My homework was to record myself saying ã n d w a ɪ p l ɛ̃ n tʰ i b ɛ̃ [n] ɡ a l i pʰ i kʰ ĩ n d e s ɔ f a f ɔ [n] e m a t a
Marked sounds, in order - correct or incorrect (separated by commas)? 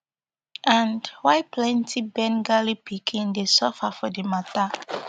correct, incorrect